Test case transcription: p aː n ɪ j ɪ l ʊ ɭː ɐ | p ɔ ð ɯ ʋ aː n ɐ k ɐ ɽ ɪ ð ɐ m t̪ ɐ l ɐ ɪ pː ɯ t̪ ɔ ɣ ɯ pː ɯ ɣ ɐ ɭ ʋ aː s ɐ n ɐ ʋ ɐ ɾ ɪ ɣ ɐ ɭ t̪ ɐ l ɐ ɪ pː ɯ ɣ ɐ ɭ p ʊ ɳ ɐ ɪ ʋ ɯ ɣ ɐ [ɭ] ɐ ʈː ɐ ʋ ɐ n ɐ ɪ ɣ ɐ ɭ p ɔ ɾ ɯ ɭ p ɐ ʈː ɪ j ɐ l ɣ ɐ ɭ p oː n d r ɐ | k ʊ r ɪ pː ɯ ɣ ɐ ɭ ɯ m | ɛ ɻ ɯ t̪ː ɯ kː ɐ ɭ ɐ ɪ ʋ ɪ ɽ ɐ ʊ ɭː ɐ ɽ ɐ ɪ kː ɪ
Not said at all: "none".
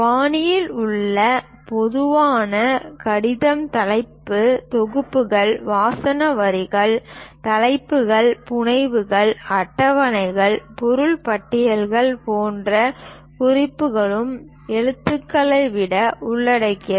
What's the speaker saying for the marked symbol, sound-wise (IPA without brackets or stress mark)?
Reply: ɭ